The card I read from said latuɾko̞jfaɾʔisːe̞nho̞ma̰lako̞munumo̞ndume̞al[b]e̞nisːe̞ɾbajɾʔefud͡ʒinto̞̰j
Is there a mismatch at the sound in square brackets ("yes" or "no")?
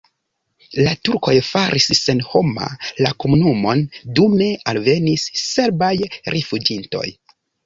yes